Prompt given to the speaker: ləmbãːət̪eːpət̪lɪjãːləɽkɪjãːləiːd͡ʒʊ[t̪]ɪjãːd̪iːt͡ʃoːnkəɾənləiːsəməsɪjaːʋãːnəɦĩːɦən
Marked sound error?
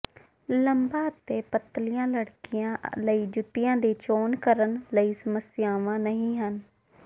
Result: no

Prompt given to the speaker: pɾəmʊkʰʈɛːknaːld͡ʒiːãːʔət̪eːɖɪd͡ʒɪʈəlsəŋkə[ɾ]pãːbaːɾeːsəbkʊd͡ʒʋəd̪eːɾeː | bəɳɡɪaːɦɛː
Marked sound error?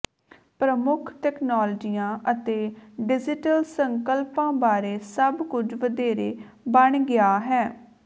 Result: yes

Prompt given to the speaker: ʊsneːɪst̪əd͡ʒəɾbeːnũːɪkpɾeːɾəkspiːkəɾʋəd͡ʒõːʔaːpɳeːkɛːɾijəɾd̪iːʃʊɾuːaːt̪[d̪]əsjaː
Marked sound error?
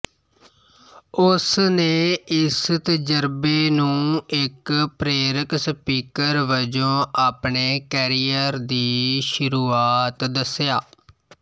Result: no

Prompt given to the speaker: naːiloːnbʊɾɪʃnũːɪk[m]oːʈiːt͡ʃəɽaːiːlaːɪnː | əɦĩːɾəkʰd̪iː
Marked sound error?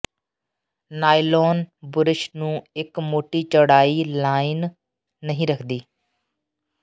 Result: no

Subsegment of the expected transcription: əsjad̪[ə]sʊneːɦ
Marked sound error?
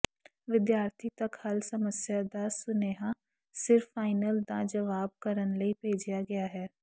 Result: yes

